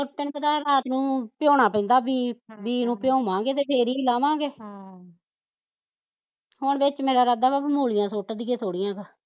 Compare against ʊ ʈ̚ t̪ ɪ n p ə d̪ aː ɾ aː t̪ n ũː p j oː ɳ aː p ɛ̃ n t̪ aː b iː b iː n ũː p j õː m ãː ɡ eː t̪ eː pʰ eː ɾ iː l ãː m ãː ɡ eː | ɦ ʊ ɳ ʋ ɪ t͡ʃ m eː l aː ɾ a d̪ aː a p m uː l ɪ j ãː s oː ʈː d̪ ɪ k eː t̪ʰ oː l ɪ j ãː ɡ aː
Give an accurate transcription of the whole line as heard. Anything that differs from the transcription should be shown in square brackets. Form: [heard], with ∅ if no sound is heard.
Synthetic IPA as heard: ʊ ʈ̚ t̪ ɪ n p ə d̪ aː ɾ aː t̪ n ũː p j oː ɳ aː p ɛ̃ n [d̪] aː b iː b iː n ũː p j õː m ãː ɡ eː t̪ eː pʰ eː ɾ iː l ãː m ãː ɡ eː | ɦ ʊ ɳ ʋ ɪ t͡ʃ m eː [ɾ] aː ɾ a d̪ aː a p m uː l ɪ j ãː s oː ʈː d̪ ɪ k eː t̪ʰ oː [ɽ] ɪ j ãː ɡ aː

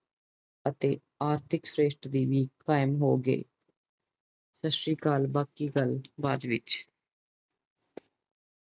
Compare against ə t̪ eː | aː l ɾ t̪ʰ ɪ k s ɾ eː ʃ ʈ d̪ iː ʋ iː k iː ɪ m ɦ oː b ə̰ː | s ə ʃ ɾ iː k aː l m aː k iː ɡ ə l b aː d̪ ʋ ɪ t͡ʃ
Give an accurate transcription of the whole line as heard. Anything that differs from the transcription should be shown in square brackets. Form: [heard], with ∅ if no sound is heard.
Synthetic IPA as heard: ə t̪ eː | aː [∅] ɾ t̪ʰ ɪ k s ɾ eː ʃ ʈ d̪ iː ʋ iː k [aː] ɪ m ɦ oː [ɡ] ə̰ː | s ə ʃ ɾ iː k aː l [b] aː k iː ɡ ə l b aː d̪ ʋ ɪ t͡ʃ

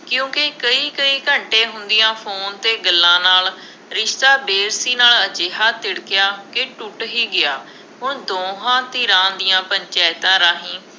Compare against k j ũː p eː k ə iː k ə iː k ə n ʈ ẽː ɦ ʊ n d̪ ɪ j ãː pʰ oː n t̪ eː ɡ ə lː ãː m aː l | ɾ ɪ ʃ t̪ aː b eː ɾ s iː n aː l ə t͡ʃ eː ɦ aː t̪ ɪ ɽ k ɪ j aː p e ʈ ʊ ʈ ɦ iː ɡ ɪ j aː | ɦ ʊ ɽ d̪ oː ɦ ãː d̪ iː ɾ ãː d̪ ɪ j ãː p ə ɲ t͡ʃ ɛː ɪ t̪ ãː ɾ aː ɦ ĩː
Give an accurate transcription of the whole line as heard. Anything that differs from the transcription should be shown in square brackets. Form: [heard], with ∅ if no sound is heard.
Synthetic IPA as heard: k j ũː [k] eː k ə iː k ə iː k ə [ɳ] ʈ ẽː ɦ ʊ n d̪ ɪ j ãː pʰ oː n t̪ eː ɡ ə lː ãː [n] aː l | ɾ ɪ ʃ t̪ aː b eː ɾ s iː n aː l ə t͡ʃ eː ɦ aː t̪ ɪ ɽ k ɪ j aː [k] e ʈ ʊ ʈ ɦ iː ɡ ɪ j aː | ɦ ʊ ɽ d̪ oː ɦ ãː [t̪] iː ɾ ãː d̪ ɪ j ãː p ə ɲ t͡ʃ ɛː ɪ t̪ ãː ɾ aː ɦ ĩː

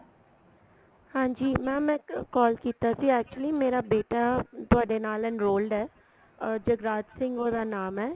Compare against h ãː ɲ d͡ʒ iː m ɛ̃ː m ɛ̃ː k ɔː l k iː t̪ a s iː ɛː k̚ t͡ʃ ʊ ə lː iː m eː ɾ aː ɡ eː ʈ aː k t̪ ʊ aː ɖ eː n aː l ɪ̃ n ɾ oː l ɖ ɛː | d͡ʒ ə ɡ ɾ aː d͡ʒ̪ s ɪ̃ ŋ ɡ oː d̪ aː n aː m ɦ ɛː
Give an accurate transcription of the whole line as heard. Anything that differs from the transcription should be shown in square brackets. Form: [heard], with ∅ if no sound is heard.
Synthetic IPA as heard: h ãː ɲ d͡ʒ iː m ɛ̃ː m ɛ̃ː k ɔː l k iː t̪ a s iː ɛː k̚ t͡ʃ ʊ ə [l] iː m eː ɾ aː [b] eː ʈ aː [∅] t̪ ʊ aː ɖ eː n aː l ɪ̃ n ɾ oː l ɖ ɛː | d͡ʒ ə ɡ ɾ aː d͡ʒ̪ s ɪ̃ ŋ ɡ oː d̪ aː n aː m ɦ ɛː

